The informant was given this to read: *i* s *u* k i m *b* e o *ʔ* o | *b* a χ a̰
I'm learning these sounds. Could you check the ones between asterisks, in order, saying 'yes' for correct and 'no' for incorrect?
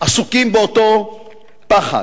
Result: no, yes, yes, no, no

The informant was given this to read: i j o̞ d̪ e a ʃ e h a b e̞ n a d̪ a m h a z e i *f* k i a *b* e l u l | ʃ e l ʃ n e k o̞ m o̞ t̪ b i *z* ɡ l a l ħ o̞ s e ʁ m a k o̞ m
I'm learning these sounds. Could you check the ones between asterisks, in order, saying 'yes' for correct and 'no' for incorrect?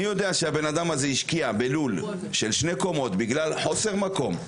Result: no, yes, no

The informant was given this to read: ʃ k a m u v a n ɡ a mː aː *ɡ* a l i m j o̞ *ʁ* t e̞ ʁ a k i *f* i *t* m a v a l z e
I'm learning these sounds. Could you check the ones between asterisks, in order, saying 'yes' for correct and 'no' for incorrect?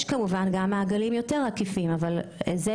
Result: yes, no, yes, no

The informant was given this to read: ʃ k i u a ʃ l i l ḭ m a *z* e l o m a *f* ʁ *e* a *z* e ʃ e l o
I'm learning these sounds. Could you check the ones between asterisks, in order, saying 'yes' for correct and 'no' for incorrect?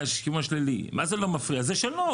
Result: yes, yes, no, yes

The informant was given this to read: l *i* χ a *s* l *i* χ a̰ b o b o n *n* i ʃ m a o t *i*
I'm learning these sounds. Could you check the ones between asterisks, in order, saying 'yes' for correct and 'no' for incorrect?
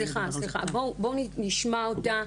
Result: yes, yes, yes, yes, no

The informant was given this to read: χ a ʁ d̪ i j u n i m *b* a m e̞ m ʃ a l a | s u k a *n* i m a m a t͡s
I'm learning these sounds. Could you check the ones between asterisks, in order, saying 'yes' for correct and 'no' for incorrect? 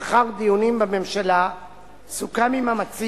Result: yes, no

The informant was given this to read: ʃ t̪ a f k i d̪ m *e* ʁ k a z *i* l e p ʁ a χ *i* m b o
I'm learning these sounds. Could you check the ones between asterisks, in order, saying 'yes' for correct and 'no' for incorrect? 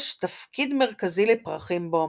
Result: yes, yes, yes

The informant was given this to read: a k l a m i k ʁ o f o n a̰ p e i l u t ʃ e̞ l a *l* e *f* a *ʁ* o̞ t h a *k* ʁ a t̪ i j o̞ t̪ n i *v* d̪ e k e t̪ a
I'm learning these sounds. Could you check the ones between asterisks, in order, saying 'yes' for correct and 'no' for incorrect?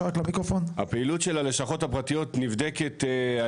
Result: yes, no, no, no, yes

